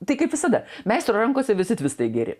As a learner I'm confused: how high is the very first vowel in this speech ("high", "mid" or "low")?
low